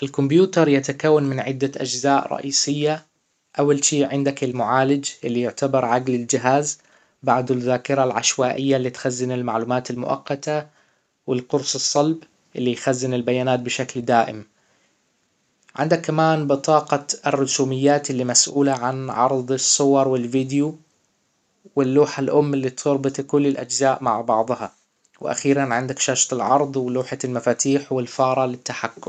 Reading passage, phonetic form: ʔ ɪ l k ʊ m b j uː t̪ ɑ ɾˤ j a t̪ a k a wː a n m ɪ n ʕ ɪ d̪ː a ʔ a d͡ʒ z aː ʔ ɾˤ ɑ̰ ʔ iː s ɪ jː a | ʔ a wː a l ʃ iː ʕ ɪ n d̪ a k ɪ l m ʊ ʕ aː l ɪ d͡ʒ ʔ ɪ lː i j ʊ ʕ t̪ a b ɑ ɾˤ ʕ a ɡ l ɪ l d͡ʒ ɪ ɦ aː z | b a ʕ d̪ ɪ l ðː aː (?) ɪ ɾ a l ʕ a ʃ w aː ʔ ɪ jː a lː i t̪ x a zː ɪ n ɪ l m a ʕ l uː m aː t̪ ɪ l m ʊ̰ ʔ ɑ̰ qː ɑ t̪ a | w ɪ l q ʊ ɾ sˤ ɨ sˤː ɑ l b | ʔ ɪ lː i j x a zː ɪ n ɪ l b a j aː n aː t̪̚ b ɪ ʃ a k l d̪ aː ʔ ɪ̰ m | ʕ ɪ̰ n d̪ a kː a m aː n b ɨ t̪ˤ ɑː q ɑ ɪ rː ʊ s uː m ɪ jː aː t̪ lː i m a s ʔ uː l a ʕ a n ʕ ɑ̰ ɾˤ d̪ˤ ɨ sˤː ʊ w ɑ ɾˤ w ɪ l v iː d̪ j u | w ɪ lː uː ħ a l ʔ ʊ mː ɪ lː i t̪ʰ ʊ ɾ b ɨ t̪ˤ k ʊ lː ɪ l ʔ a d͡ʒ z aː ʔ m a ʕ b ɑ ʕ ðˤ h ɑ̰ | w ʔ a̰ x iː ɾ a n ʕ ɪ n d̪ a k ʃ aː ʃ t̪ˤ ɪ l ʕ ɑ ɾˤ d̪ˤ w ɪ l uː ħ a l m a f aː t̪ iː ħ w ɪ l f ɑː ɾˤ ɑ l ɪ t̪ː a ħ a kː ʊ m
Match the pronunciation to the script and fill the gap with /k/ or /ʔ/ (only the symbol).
k